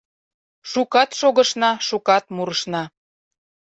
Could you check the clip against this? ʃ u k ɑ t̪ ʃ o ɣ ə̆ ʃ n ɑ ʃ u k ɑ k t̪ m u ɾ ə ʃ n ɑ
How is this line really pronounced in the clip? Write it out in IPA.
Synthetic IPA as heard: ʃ u k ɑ t̪ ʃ o ɣ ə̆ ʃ n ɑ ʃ u k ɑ t̪ m u ɾ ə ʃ n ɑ